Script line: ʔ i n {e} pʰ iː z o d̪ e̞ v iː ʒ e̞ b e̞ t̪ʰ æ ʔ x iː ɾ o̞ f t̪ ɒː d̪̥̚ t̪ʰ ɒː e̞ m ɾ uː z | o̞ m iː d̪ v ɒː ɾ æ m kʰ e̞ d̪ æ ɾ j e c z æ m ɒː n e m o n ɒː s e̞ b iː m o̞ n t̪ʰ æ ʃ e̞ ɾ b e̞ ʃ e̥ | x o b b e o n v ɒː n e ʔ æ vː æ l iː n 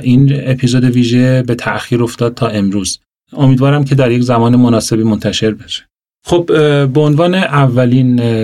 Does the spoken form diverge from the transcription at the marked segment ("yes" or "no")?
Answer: no